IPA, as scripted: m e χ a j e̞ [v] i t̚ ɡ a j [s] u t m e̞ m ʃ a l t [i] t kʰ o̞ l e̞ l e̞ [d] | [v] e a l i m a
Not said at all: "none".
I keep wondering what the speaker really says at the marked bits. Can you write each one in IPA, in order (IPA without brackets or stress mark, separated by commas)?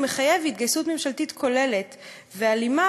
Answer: v, s, i, t, v